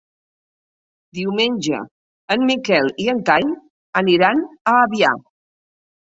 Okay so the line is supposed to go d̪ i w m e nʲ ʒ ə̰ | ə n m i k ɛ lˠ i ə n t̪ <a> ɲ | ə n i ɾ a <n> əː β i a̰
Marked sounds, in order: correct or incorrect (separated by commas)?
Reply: correct, correct